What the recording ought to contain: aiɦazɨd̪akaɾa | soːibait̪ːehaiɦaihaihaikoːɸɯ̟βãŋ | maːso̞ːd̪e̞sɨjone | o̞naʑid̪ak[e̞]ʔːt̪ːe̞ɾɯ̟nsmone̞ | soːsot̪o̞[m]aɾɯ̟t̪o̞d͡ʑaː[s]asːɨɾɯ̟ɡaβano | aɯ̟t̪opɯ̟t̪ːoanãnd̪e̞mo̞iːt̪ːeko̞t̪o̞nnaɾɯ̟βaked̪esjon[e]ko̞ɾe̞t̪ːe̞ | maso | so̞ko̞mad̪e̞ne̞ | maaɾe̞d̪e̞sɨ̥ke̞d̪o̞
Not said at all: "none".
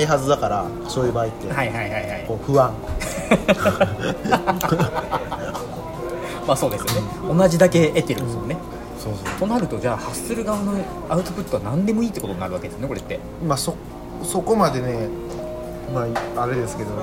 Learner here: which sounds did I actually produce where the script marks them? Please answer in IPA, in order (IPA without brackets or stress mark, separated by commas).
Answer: e̞, n, h, e